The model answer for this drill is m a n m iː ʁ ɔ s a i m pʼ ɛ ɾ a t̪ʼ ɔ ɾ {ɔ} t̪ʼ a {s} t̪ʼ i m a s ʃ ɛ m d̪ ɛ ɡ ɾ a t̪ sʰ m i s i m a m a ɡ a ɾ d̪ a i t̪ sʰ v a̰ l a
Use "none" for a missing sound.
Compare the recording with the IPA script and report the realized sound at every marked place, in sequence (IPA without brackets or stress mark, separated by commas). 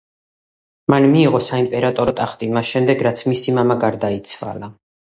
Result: ɔ, χ